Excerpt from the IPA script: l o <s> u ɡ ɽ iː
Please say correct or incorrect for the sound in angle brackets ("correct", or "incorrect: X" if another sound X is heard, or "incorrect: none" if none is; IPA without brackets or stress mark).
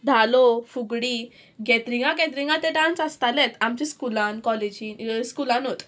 incorrect: f